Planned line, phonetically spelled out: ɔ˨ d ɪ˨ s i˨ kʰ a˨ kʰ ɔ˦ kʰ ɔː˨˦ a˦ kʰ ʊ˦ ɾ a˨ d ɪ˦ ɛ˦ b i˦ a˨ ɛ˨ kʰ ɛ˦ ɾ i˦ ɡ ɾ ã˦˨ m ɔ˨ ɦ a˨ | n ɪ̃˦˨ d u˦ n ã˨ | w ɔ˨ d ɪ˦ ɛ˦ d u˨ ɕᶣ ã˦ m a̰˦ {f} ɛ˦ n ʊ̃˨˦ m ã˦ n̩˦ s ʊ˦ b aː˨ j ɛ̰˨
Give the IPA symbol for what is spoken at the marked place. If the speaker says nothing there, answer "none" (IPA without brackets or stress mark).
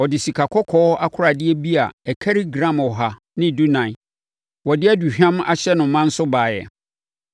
ɕ